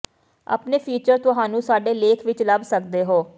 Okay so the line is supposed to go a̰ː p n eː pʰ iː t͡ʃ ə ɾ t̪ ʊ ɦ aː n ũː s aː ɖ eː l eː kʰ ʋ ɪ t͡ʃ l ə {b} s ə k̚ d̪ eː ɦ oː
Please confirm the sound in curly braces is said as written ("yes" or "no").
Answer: yes